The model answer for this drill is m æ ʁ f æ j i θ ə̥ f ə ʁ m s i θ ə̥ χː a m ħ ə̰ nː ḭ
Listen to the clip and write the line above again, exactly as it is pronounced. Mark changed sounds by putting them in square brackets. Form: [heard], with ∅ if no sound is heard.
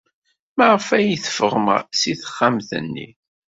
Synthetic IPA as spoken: m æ ʁ f æ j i θ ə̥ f ə ʁ m s i θ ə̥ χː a m [θ] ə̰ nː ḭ